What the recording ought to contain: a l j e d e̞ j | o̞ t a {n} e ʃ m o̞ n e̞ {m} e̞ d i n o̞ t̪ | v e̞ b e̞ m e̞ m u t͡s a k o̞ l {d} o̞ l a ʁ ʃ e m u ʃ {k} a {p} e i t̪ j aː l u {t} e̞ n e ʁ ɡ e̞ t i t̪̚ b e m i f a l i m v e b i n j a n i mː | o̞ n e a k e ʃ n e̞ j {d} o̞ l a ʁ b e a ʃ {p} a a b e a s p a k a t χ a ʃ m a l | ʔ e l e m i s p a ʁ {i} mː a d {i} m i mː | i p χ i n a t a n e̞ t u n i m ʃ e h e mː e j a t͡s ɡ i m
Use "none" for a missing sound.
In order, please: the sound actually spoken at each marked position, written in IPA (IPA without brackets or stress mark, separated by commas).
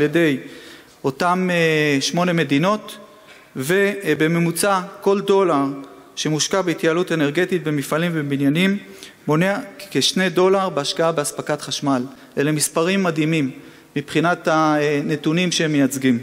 m, m, d, k, b, t, d, k, i, i